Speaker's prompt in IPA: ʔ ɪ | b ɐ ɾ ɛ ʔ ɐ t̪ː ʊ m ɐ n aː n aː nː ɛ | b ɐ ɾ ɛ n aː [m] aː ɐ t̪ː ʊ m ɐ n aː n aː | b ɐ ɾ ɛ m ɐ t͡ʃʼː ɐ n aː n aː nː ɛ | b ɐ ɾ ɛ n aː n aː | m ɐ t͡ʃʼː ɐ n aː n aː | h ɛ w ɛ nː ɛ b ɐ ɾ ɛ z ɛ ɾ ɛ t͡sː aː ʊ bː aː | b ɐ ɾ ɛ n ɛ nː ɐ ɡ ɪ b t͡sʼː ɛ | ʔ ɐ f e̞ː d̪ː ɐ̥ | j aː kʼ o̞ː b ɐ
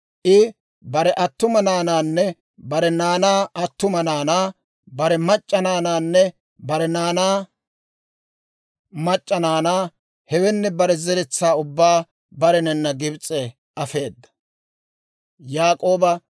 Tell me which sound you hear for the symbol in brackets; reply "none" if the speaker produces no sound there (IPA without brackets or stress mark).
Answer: n